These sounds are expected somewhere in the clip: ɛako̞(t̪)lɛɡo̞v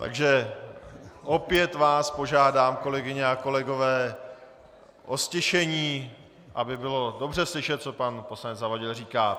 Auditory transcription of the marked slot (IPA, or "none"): none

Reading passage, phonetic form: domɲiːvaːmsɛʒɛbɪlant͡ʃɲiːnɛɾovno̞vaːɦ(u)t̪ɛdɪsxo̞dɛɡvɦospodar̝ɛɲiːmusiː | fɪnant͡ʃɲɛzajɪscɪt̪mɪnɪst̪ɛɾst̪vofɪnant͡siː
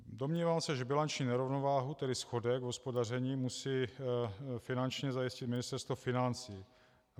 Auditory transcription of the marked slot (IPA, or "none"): u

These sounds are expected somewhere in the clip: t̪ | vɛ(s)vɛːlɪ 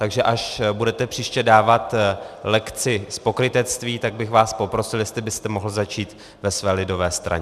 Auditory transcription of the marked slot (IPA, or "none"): s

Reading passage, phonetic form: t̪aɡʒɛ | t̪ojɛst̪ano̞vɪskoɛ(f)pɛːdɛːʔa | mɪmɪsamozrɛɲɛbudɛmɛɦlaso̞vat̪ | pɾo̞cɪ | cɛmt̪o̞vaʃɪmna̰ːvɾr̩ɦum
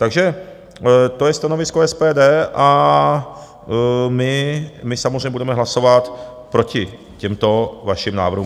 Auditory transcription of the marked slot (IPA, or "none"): s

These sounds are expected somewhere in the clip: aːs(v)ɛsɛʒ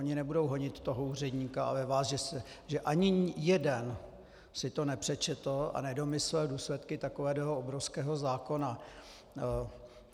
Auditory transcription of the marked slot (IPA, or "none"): ʒ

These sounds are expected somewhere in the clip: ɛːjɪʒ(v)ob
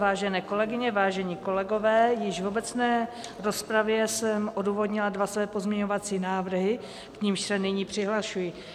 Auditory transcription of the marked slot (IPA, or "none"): v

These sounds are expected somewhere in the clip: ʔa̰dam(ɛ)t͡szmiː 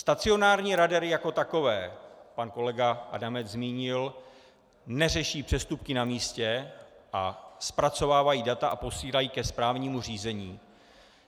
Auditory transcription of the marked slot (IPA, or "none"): ɛ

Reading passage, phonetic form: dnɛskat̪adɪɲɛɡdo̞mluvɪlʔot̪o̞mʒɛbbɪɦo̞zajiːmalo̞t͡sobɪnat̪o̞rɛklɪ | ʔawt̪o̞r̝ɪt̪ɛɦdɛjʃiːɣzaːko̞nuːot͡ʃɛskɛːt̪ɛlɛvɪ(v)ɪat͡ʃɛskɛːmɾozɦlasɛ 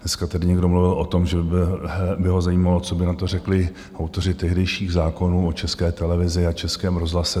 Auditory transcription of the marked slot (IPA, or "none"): z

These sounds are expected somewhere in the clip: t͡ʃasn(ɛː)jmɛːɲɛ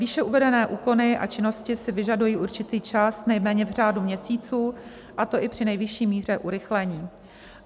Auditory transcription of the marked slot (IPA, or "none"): ɛ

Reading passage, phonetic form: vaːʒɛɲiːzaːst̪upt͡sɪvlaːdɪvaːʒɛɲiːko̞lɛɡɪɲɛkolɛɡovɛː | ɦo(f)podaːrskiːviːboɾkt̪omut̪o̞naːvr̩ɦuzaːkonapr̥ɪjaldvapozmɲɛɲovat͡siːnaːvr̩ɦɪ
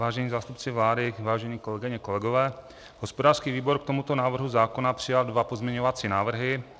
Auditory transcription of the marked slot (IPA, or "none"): s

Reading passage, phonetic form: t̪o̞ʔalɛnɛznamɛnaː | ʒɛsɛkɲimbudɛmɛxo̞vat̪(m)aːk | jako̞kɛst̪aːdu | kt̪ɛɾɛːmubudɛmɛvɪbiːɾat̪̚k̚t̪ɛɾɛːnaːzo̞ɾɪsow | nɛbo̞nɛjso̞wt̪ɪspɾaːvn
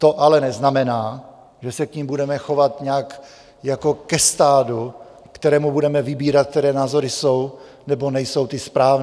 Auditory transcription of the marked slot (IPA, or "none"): ɲ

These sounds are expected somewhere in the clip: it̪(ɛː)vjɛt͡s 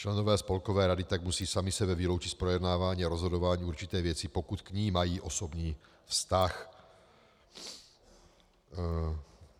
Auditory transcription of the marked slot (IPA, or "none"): ɛː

